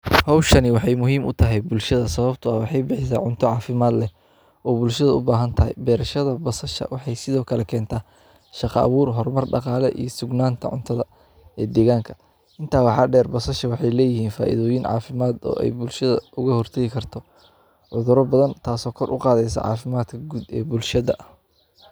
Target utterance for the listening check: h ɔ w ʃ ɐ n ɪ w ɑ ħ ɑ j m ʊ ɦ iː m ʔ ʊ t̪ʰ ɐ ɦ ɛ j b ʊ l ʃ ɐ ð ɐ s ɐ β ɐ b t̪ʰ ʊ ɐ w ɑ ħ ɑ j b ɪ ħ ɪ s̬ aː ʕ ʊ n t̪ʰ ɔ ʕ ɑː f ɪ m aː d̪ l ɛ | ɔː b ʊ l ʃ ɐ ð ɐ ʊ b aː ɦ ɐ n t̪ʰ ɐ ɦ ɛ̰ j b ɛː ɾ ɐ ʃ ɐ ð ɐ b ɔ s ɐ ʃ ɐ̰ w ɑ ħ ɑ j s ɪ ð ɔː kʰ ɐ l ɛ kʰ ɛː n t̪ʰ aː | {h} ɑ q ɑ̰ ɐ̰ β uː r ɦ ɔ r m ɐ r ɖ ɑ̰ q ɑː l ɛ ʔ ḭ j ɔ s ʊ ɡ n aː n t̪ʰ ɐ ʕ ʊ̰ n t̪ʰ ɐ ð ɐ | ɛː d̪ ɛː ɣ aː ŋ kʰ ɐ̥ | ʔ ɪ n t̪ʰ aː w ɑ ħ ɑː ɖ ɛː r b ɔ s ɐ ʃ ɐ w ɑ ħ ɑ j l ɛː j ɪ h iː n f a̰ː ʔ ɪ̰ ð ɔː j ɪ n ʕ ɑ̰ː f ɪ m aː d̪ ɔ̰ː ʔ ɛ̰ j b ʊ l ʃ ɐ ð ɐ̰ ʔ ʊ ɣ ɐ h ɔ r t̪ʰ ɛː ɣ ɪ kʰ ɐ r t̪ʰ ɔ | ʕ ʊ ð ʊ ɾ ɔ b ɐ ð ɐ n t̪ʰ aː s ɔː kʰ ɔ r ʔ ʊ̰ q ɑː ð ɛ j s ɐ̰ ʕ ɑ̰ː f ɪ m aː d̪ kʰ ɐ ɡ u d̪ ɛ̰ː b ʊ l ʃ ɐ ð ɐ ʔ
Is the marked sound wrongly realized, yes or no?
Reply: yes